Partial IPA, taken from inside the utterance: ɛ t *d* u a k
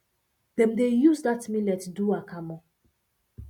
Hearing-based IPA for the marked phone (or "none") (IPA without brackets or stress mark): d